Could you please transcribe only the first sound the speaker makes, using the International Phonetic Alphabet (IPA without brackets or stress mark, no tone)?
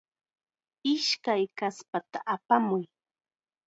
ɪ